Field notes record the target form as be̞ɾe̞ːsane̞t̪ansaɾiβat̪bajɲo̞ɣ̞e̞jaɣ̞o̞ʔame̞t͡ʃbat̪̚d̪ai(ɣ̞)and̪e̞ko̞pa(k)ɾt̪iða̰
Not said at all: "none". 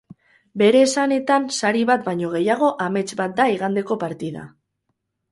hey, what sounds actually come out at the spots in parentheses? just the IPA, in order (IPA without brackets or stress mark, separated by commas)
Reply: ɣ̞, none